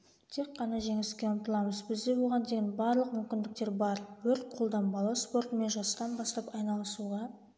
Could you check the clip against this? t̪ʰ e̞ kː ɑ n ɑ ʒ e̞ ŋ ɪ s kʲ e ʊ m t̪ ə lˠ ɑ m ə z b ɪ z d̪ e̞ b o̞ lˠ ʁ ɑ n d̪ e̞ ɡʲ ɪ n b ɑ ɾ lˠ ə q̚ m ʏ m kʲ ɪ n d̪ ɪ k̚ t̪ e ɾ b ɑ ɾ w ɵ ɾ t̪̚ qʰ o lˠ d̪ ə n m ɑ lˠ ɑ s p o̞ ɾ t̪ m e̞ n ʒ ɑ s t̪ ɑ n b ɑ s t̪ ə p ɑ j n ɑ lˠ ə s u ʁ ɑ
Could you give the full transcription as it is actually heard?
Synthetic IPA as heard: t̪ʰ e̞ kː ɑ n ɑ ʒ e̞ ŋ ɪ s kʲ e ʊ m t̪ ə lˠ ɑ m ə z b ɪ z d̪ e̞ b o̞ lˠ ʁ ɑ n d̪ e̞ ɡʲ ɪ n b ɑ ɾ lˠ ə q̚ m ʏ m kʲ ɪ n d̪ ɪ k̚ t̪ e ɾ b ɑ ɾ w ɵ ɾ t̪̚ qʰ o lˠ d̪ ɑ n b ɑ lˠ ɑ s p o̞ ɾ t̪ m e̞ n ʒ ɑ s t̪ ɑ n b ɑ s t̪ ɑ p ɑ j n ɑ lˠ ə s u ʁ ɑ

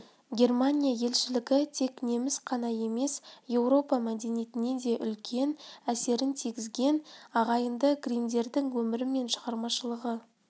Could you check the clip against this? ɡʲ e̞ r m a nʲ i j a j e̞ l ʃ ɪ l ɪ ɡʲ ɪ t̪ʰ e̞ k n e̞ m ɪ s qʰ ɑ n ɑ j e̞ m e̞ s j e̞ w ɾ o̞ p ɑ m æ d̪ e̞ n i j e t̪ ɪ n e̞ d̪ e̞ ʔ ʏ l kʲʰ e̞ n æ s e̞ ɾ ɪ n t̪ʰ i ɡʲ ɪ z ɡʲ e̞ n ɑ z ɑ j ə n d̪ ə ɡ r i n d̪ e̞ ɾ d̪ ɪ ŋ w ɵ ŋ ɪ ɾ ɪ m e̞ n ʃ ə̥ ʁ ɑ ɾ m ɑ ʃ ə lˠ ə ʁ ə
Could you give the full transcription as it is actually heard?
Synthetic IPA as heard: ɡʲ e̞ r m a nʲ i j a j e̞ l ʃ ɪ l ɪ ɡʲ ɪ t̪ʰ e̞ k n e̞ m ɪ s qʰ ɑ n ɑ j e̞ m e̞ s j e̞ w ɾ o̞ p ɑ m æ d̪ e̞ n i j e t̪ ɪ n e̞ d̪ e̞ ʔ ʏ l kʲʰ e̞ n æ s e̞ ɾ ɪ n t̪ʰ i ɡʲ ɪ z ɡʲ e̞ n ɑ ʁ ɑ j ə n d̪ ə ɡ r i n d̪ e̞ ɾ d̪ ɪ ŋ w ɵ m ɪ ɾ ɪ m e̞ n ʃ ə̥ ʁ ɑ ɾ m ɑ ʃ ə lˠ ə ʁ ə

